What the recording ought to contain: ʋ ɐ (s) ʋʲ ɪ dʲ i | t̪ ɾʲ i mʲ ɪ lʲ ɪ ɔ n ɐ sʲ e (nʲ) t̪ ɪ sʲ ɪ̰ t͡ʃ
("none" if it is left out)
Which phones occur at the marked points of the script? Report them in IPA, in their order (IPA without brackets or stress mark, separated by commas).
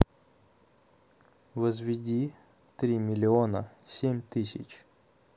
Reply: z, mʲ